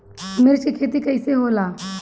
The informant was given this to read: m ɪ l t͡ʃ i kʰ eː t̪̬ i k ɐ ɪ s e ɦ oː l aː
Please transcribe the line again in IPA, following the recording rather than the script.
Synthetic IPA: m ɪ ɾ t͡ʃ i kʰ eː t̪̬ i k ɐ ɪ s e ɦ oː l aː